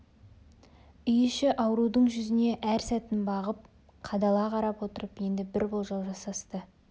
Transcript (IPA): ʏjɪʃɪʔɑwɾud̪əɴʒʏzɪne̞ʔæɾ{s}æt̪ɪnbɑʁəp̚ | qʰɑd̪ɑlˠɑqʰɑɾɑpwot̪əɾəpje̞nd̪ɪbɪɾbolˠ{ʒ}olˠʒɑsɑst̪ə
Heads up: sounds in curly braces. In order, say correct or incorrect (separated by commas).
correct, correct